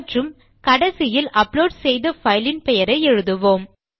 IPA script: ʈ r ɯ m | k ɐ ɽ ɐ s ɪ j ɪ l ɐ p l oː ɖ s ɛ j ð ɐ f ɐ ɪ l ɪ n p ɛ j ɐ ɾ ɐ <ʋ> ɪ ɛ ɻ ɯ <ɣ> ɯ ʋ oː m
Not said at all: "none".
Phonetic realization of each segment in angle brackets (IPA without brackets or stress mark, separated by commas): none, ð